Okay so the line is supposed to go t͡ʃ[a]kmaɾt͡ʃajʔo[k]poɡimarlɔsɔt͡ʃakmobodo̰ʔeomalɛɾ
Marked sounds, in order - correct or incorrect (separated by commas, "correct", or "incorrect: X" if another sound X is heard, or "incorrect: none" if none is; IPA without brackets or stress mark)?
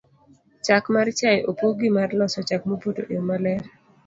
correct, incorrect: none